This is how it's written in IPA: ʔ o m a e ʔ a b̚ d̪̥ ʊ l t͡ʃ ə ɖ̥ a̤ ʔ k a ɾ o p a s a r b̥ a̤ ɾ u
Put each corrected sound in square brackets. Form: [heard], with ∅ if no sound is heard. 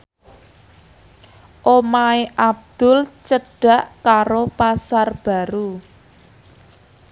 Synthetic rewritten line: ʔ o m a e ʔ a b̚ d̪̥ ʊ l t͡ʃ ə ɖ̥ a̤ ʔ k a ɾ o p a s a r b̥ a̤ ɾ u